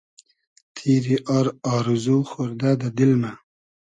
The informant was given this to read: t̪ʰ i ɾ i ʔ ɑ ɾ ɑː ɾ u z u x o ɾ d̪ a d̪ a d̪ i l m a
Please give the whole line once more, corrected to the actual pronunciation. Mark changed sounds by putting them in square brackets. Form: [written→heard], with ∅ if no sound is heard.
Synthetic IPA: t̪ʰ i ɾ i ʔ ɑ ɾ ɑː ɾ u z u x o ɾ d̪ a d̪ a d̪ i l m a